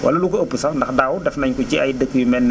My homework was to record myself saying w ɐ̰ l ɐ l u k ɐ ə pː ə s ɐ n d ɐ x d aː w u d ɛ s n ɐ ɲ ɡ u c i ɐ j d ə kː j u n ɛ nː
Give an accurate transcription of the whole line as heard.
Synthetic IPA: w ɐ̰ l ɐ l u k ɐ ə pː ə s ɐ n d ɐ x d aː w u d ɛ f n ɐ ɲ k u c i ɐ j d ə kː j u m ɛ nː